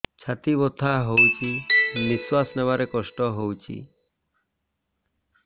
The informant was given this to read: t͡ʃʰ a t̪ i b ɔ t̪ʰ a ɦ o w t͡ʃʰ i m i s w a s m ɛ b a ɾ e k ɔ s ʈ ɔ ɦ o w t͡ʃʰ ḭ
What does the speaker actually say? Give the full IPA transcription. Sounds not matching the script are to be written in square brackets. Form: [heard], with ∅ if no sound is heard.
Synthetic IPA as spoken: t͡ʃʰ a t̪ i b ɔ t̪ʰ a ɦ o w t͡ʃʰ i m i s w a s [n] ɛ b a ɾ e k ɔ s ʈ ɔ ɦ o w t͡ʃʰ ḭ